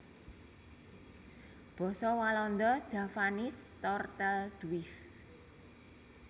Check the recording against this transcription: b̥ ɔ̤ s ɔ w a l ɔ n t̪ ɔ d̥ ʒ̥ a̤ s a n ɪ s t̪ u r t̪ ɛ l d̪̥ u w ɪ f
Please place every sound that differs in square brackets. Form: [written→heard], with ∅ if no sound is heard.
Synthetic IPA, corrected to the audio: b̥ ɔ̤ s ɔ w a l ɔ n [t̪→d̪] ɔ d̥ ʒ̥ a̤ [s→f] a n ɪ s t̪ [u→ɔ] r t̪ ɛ l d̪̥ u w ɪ f